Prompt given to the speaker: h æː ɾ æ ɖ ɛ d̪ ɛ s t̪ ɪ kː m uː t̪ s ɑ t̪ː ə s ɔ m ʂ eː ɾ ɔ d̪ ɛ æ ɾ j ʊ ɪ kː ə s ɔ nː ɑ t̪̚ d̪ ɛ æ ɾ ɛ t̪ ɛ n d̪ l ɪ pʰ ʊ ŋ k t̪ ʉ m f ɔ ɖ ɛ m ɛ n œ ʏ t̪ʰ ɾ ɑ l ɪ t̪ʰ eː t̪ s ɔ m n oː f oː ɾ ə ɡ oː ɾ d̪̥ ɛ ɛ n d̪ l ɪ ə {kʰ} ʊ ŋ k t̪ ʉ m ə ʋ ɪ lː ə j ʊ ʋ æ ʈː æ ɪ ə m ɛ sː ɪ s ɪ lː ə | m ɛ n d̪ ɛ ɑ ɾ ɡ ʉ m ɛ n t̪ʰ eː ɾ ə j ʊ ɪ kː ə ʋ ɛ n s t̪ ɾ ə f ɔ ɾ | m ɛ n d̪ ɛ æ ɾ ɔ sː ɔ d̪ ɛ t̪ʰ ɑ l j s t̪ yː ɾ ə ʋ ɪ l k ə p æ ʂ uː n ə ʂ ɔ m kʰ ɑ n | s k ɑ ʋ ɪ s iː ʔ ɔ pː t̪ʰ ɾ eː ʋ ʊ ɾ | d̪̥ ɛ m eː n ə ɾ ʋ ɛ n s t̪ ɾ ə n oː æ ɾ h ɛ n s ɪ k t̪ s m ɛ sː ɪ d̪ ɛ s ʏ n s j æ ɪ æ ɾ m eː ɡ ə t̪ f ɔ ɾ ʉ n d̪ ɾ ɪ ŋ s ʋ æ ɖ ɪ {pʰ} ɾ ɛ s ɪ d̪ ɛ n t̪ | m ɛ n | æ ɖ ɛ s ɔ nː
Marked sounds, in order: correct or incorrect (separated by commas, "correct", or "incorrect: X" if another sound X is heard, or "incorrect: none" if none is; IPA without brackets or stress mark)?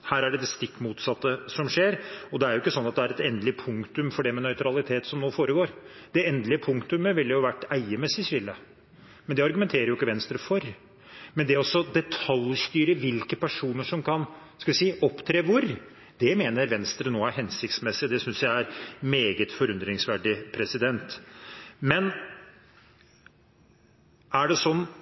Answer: incorrect: pʰ, correct